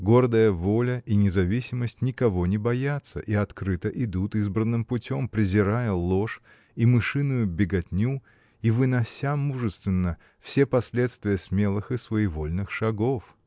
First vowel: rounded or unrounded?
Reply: rounded